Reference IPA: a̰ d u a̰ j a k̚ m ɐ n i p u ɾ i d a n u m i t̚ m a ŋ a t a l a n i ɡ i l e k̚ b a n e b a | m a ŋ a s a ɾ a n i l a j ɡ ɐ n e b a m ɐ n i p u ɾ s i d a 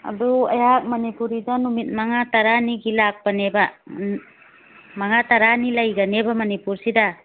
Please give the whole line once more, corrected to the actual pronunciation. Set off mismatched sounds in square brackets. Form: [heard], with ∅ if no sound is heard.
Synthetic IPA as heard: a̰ d u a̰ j a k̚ m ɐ n i p u ɾ i d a n u m i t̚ m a ŋ a t a [ɾ] a n i ɡ i l [a] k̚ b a n e b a | m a ŋ a [t] a ɾ a n i l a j ɡ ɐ n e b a m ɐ n i p u ɾ s i d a